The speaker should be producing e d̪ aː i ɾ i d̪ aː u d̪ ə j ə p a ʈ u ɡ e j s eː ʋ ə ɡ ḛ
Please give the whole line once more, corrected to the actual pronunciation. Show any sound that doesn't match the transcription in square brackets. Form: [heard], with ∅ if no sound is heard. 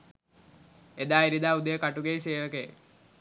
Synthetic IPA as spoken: e d̪ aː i ɾ i d̪ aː u d̪ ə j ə [k] a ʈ u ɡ e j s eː ʋ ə [k] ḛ